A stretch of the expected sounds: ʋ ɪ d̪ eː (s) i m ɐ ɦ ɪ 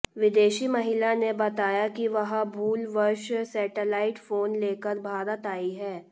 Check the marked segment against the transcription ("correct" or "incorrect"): incorrect